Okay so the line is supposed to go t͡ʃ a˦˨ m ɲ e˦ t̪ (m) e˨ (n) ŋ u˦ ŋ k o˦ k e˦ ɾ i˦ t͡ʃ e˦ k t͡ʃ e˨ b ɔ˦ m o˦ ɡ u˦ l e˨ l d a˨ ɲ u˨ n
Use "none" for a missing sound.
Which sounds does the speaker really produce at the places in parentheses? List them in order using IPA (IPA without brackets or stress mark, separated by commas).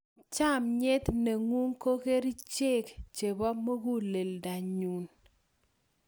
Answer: n, none